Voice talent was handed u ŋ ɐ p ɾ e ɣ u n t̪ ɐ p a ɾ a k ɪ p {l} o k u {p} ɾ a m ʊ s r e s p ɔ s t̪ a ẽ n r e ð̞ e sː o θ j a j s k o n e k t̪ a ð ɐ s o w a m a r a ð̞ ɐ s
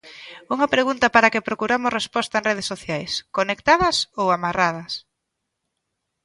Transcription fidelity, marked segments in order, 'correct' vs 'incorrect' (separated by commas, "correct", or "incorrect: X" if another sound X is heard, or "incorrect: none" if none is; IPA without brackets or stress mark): incorrect: ɾ, incorrect: none